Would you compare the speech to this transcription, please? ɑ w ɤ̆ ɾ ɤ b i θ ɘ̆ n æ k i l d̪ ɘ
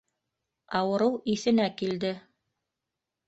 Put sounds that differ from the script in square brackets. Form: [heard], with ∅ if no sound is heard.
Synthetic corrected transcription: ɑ w ɤ̆ ɾ ɤ [w] i θ ɘ̆ n æ k i l d̪ ɘ